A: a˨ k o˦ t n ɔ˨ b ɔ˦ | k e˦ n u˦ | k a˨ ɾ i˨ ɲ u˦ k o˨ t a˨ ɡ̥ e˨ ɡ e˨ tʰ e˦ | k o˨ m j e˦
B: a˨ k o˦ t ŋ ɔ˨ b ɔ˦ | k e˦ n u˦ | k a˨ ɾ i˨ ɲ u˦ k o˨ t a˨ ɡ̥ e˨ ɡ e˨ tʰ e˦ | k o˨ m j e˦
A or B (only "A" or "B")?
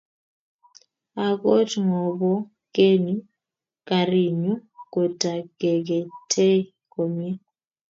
B